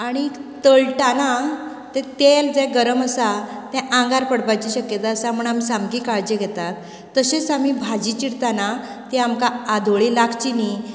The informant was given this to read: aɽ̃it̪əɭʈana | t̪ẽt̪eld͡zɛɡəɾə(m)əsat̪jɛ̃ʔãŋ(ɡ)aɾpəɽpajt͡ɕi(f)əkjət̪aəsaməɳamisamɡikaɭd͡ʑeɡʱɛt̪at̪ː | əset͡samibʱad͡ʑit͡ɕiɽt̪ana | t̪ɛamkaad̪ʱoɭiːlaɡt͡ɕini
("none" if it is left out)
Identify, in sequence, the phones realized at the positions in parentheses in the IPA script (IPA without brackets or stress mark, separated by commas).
m, ɡ, ɕ